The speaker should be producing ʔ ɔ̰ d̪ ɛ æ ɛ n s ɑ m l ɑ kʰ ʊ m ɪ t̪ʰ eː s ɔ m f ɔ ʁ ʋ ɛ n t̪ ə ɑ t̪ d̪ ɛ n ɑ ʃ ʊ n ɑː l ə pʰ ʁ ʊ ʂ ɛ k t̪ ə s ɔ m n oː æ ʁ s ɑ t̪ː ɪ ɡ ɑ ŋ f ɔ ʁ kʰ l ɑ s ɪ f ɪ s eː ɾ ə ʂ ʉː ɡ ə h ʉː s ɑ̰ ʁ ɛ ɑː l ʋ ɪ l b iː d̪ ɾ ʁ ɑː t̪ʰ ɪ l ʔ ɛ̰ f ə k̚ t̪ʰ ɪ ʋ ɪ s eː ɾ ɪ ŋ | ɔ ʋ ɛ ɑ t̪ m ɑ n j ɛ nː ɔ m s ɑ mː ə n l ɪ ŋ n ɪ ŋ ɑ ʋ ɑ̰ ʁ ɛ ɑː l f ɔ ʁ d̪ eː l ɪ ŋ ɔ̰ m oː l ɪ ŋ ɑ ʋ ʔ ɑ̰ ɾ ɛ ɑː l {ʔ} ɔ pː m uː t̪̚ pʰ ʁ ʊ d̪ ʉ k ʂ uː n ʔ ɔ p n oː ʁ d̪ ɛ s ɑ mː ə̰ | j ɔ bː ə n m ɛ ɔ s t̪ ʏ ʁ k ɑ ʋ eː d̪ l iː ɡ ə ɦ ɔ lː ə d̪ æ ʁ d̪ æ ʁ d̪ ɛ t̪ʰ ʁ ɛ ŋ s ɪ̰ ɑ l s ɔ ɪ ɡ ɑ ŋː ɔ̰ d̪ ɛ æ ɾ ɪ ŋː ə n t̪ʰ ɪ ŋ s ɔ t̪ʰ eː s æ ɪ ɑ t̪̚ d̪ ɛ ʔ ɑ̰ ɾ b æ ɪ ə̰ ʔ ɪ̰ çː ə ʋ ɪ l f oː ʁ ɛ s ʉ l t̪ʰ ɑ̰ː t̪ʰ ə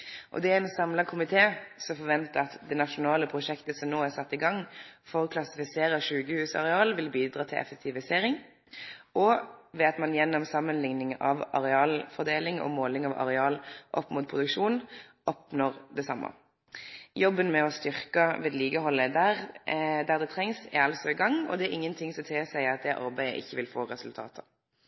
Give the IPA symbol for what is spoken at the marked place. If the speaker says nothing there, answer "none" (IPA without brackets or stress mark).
ʔ